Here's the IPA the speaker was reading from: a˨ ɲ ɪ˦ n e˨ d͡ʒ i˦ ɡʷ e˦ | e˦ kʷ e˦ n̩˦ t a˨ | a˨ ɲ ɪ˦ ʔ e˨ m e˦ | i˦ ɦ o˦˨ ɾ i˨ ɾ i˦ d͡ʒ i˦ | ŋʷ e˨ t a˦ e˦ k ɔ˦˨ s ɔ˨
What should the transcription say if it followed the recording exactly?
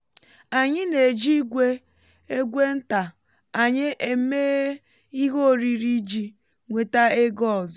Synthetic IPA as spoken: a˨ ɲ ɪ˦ n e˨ d͡ʒ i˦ ɡʷ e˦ | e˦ ɡʷ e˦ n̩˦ t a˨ | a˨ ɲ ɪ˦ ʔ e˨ m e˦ | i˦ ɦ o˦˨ ɾ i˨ ɾ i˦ d͡ʒ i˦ | ŋʷ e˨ t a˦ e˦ ɡ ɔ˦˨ z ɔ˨